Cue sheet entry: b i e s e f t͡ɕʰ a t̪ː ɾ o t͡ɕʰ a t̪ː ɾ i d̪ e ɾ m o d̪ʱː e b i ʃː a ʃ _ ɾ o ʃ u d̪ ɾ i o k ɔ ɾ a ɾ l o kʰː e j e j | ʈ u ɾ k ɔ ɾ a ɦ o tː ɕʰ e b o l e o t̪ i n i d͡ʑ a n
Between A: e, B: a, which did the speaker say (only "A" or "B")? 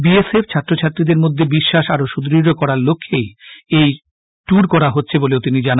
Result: B